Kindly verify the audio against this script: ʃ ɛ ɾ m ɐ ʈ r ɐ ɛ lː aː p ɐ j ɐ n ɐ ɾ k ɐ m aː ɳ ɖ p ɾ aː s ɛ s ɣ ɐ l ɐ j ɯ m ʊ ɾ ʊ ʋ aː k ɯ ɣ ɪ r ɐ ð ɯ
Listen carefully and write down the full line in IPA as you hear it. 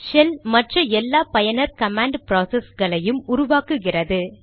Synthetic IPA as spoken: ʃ ɛ l m ɐ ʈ r ɐ ɛ lː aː p ɐ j ɐ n ɐ ɾ k ɐ m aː ɳ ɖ p ɾ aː s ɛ s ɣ ɐ ɭ ɐ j ɯ m ʊ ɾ ʊ ʋ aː k ɯ ɣ ɪ r ɐ ð ɯ

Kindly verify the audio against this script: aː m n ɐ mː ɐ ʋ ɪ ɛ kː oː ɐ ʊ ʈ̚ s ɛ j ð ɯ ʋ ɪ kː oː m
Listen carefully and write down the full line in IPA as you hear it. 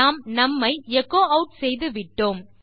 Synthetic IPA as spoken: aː m n ɐ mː ɐ ɪ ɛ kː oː ɐ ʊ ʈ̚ s ɛ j ð ɯ ʋ ɪ ʈː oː m

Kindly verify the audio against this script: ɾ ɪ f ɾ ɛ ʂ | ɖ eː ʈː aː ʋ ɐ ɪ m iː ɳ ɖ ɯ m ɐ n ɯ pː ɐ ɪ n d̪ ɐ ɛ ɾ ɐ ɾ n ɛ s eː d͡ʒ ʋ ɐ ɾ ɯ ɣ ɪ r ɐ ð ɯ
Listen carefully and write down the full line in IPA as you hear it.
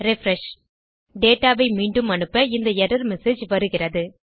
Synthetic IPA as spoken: ɾ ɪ f ɾ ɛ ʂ | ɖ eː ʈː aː ʋ ɐ ɪ m iː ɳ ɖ ɯ m ɐ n ɯ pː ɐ ɪ n d̪ ɐ ɛ ɾ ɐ ɾ m ɛ s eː d͡ʒ ʋ ɐ ɾ ɯ ɣ ɪ r ɐ ð ɯ

